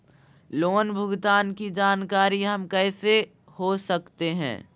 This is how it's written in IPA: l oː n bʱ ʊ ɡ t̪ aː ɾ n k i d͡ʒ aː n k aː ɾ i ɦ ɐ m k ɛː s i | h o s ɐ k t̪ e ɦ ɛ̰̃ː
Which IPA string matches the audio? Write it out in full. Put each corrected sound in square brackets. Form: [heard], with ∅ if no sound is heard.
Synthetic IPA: l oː n bʱ ʊ ɡ t̪ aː [∅] n k i d͡ʒ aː n k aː ɾ i ɦ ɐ m k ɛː s [e] | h o s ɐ k t̪ e ɦ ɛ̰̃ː